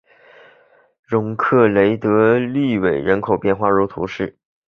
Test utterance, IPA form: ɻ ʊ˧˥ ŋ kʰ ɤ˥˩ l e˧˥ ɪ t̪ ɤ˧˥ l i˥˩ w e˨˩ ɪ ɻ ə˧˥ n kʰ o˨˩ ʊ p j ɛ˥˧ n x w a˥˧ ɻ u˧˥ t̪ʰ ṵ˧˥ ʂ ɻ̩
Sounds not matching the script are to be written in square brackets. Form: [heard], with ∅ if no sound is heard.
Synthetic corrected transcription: ɻ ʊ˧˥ ŋ kʰ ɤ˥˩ l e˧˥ ɪ t̪ ɤ˧˥ l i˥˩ w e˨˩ ɪ ɻ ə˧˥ n kʰ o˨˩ ʊ p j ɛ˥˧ n x w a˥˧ ɻ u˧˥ t̪ʰ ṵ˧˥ ʂ ɻ̩

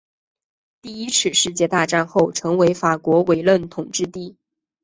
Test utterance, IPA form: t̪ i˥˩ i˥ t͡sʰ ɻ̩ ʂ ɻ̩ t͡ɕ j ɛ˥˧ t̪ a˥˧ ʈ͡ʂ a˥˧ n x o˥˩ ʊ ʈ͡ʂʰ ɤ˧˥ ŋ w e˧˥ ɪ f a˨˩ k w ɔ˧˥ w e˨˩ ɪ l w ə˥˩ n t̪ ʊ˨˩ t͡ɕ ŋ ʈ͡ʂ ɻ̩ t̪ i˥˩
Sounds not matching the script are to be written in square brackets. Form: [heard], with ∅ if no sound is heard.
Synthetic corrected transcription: t̪ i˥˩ i˥ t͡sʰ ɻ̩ ʂ ɻ̩ t͡ɕ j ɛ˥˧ t̪ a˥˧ ʈ͡ʂ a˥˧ n x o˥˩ ʊ ʈ͡ʂʰ ɤ˧˥ ŋ w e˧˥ ɪ f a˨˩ k w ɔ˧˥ w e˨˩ ɪ l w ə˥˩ n [t̪ʰ] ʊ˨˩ [∅] ŋ ʈ͡ʂ ɻ̩ t̪ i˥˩

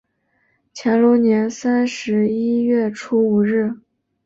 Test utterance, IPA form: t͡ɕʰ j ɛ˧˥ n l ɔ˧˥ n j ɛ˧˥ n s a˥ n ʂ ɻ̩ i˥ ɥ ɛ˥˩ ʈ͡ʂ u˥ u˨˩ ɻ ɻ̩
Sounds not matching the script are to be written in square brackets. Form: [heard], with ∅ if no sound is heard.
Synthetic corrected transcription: t͡ɕʰ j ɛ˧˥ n l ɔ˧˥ n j ɛ˧˥ n s a˥ n ʂ ɻ̩ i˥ ɥ ɛ˥˩ [ʈ͡ʂʰ] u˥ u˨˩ ɻ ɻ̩

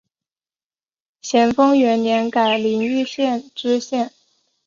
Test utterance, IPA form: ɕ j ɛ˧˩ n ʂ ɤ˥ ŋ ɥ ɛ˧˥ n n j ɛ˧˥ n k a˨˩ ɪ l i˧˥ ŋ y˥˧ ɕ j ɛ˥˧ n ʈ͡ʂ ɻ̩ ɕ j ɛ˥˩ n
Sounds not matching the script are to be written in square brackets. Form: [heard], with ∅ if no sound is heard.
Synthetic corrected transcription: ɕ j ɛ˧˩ n [f] ɤ˥ ŋ ɥ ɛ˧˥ n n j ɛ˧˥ n k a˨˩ ɪ l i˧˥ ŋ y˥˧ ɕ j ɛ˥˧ n ʈ͡ʂ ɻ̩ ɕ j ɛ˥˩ n

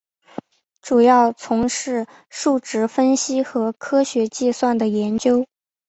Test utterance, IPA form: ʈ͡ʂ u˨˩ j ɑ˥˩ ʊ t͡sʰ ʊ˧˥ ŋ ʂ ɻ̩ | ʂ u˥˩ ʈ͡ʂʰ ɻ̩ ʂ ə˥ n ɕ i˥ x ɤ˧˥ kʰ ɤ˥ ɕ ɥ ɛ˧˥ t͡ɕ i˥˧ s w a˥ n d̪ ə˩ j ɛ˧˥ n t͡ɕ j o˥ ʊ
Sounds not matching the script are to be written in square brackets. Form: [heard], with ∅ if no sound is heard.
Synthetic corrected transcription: ʈ͡ʂ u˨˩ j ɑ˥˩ ʊ t͡sʰ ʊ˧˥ ŋ ʂ ɻ̩ | ʂ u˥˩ [ʈ͡ʂ] ɻ̩ [f] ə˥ n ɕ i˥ x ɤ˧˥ kʰ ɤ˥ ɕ ɥ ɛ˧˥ t͡ɕ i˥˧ s w [a˥˩] n d̪ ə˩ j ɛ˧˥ n t͡ɕ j o˥ ʊ

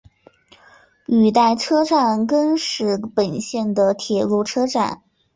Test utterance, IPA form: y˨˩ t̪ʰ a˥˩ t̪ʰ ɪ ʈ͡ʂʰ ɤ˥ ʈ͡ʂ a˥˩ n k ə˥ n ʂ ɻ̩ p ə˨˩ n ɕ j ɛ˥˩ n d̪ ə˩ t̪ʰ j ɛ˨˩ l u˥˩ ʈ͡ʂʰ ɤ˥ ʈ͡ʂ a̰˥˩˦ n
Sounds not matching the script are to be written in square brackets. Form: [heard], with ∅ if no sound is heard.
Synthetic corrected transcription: y˨˩ [t̪] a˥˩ [∅] ɪ ʈ͡ʂʰ ɤ˥ ʈ͡ʂ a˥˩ n k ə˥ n ʂ ɻ̩ p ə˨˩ n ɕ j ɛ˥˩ n d̪ ə˩ t̪ʰ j ɛ˨˩ l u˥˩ ʈ͡ʂʰ ɤ˥ ʈ͡ʂ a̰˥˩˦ n

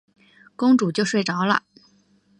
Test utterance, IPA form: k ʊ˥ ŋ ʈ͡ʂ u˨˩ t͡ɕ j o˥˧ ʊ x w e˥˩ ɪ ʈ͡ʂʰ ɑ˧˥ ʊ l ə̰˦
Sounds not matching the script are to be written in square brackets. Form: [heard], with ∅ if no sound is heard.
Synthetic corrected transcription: k ʊ˥ ŋ ʈ͡ʂ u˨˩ t͡ɕ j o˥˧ ʊ [ʂ] w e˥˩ ɪ [ʈ͡ʂ] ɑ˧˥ ʊ l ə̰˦

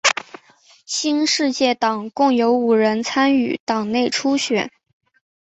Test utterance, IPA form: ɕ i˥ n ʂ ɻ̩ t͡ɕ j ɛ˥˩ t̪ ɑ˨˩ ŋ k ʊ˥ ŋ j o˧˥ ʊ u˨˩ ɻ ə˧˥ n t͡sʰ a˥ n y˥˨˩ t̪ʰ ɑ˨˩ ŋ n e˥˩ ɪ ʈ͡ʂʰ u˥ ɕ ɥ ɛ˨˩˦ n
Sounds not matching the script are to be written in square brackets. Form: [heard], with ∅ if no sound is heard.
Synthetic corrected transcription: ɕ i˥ n ʂ ɻ̩ t͡ɕ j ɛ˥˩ t̪ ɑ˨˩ ŋ k [ʊ˥˩] ŋ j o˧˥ ʊ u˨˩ ɻ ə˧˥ n t͡sʰ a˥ n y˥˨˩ [t̪] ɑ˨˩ ŋ n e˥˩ ɪ ʈ͡ʂʰ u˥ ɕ ɥ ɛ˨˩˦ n

